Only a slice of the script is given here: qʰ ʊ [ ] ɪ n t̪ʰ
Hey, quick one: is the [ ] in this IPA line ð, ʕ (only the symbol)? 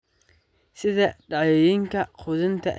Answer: ð